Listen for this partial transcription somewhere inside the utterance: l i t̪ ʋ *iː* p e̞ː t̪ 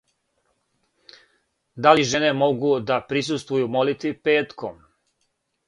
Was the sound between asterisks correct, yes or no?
no